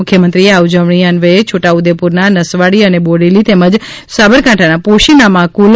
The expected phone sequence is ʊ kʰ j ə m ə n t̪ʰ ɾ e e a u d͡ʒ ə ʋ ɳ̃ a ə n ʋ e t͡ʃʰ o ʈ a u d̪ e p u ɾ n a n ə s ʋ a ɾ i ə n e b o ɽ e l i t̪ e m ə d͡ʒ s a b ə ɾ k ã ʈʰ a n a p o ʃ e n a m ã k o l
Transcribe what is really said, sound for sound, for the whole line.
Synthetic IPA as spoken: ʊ kʰ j ə m ə n t̪ ɾ i e a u d͡ʒ ə ʋ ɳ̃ i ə n ʋ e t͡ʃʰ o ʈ a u d̪ e p u ɾ n a n ə s ʋ a ɽ i ə n e b o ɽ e l i t̪ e m ə d͡ʒ s a b ə ɾ k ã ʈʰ a n a p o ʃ i n a m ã k u l